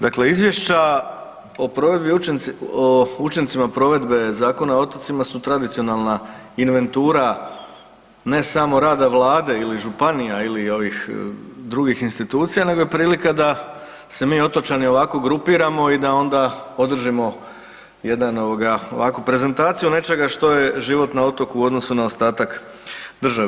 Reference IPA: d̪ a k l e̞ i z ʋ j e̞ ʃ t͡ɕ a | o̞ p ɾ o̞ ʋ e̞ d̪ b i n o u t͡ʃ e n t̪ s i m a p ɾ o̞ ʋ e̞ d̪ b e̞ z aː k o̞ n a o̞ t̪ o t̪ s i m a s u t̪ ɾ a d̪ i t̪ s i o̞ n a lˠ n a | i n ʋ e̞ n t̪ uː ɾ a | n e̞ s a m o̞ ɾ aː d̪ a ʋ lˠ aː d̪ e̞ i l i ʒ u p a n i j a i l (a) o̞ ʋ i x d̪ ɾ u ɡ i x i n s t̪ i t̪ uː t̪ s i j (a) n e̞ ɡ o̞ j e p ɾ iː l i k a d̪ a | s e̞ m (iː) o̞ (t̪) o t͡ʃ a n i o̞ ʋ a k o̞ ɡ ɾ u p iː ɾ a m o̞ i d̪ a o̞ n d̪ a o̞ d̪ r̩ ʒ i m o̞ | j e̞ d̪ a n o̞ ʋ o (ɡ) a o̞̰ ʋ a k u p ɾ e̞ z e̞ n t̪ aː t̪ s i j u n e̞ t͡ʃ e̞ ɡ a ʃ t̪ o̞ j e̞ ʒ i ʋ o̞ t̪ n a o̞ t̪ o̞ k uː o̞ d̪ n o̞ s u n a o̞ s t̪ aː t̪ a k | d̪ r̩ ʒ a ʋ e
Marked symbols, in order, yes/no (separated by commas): no, yes, yes, yes, yes